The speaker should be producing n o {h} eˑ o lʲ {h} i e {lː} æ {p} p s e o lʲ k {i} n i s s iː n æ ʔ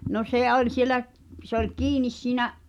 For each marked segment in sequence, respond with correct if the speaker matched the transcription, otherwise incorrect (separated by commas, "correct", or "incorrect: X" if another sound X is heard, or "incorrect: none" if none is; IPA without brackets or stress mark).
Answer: incorrect: s, incorrect: s, incorrect: l, incorrect: ʔ, incorrect: iː